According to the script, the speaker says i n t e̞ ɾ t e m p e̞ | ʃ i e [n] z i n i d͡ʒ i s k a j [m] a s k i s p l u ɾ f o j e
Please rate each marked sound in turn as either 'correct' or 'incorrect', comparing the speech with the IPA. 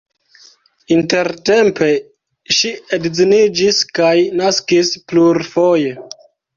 incorrect: d, incorrect: n

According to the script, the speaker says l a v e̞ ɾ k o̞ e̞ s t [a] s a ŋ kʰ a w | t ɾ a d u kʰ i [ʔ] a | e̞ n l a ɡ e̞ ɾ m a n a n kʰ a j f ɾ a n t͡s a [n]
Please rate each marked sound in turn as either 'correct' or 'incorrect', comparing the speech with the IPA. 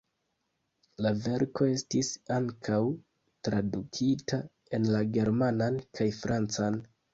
incorrect: i, incorrect: t, correct

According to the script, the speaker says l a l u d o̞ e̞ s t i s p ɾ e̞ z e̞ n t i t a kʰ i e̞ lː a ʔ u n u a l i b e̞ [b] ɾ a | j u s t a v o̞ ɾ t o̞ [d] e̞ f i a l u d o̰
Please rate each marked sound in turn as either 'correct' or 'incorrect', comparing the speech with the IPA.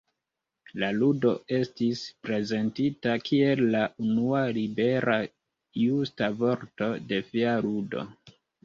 incorrect: none, correct

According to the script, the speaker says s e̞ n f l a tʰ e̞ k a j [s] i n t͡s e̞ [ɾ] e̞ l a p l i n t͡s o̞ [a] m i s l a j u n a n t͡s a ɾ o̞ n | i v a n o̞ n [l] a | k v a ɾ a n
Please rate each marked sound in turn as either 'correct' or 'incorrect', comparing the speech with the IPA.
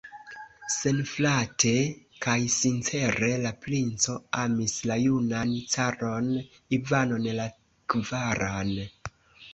correct, correct, correct, correct

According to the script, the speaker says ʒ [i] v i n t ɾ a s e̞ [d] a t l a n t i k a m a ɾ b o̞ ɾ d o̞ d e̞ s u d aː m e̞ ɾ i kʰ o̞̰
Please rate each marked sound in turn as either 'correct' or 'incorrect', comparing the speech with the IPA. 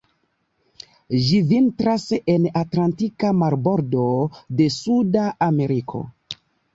correct, incorrect: n

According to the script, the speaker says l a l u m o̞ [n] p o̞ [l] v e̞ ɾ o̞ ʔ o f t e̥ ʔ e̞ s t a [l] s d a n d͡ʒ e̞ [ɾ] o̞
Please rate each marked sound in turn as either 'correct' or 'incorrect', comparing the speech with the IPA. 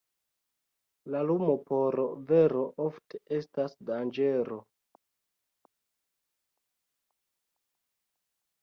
incorrect: none, incorrect: ɾ, incorrect: none, correct

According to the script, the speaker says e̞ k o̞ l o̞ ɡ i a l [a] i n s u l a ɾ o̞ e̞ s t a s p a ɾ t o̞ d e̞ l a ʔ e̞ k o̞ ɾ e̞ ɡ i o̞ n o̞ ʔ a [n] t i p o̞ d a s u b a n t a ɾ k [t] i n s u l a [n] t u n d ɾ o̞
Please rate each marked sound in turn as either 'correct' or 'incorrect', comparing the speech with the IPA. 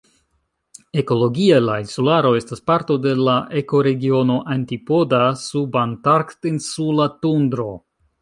correct, correct, correct, incorrect: none

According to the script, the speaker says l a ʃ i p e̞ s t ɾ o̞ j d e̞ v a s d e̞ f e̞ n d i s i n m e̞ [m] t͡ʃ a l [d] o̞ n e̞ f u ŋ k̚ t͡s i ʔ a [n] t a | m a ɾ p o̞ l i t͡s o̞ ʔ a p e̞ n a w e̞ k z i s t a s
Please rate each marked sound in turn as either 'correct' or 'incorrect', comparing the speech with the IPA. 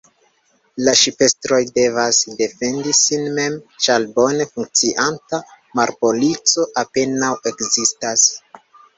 correct, incorrect: b, correct

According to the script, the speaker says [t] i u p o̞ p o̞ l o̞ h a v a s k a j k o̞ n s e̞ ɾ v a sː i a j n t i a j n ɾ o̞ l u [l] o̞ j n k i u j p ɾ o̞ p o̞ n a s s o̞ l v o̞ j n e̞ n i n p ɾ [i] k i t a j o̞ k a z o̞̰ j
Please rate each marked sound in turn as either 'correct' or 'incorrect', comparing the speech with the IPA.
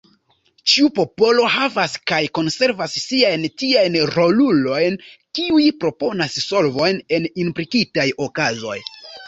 incorrect: t͡ʃ, correct, correct

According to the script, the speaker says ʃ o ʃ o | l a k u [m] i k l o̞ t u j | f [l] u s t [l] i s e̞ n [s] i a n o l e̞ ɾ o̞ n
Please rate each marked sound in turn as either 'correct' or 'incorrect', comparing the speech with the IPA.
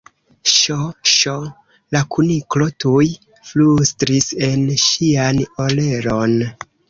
incorrect: n, correct, incorrect: ɾ, incorrect: ʃ

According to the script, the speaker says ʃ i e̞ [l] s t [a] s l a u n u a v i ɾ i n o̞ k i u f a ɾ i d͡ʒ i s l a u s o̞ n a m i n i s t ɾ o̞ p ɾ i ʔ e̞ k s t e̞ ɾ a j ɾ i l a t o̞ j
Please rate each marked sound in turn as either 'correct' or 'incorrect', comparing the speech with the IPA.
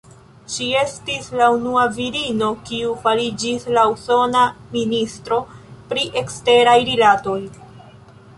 incorrect: none, incorrect: i

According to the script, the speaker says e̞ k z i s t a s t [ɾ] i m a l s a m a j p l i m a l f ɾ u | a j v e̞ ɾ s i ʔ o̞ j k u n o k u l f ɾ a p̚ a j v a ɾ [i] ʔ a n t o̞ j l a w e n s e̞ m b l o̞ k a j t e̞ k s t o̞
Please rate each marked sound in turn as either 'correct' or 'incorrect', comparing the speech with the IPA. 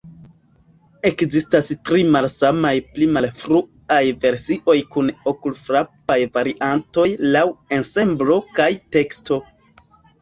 correct, correct

